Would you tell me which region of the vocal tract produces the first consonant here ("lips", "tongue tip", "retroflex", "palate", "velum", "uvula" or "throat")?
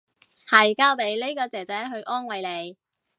throat